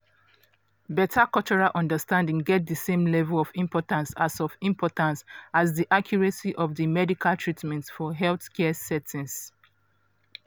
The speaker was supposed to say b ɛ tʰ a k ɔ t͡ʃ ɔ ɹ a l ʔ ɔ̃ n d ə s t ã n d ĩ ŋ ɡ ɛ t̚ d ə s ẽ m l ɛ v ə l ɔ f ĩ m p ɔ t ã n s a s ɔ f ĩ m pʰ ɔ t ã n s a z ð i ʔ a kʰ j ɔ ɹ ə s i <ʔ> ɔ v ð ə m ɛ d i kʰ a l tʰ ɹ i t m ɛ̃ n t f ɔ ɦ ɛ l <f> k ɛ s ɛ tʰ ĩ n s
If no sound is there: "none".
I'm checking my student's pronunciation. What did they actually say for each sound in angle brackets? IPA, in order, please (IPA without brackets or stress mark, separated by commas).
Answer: ʔ, θ